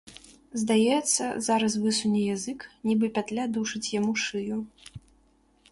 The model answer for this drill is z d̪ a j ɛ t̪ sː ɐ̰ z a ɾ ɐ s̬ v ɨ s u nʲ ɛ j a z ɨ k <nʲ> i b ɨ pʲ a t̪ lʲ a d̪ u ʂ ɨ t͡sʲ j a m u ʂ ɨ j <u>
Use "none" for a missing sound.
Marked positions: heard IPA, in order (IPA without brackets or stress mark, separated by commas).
nʲ, u